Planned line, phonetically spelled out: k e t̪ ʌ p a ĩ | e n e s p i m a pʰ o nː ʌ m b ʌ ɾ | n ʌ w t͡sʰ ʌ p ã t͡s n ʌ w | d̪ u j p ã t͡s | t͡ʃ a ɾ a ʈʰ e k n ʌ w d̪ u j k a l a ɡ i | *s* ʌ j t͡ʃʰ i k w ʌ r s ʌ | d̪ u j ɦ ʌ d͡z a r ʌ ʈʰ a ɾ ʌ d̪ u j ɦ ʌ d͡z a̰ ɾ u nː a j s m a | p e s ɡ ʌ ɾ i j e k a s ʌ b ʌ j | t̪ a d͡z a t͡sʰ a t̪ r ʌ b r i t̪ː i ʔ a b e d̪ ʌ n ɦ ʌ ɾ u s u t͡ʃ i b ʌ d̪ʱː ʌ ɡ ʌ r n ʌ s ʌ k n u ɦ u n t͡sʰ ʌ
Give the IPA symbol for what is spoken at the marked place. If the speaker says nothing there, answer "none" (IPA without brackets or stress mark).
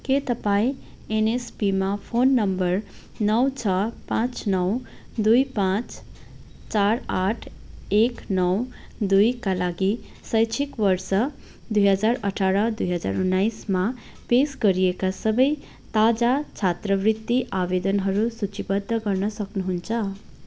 s